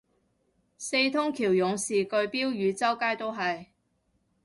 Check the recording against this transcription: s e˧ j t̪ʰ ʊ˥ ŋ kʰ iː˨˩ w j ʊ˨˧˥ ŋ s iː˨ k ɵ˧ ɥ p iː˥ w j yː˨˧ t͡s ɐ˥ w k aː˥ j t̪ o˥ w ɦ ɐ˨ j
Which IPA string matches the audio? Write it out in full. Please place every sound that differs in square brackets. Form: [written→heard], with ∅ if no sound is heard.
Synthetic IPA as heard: s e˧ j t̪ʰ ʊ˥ ŋ kʰ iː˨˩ w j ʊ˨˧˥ ŋ s iː˨ k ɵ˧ ɥ p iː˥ w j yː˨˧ t͡s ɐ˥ w k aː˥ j t̪ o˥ w ɦ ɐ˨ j